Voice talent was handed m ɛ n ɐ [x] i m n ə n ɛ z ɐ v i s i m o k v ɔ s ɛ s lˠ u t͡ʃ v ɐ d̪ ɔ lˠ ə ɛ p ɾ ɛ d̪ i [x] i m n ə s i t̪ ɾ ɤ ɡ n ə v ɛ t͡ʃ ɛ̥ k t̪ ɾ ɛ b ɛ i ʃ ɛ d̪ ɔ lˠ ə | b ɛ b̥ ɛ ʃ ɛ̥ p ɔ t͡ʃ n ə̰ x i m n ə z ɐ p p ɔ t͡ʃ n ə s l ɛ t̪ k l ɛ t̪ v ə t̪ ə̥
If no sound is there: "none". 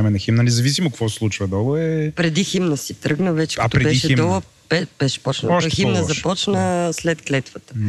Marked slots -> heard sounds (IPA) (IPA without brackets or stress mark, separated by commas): x, x